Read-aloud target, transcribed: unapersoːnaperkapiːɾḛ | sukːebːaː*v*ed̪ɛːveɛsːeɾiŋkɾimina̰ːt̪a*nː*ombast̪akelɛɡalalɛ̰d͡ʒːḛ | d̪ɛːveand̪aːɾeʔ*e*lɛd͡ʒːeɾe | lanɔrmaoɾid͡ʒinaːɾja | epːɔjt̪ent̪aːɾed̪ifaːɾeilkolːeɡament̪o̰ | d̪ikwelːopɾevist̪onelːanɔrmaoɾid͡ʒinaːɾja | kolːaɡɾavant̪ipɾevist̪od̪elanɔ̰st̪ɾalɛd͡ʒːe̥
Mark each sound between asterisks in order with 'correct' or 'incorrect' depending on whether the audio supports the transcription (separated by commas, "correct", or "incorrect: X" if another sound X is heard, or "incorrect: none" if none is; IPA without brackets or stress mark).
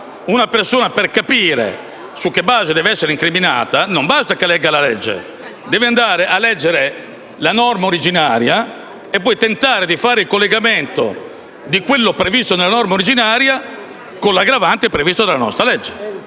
incorrect: z, incorrect: n, incorrect: a